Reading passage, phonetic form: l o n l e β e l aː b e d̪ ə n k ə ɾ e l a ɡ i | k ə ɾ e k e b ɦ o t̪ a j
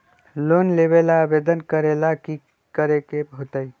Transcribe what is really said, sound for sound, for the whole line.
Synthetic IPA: l o n l e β e l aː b e d̪ ə n k ə ɾ e l a k i | k ə ɾ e k e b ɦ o t̪ ə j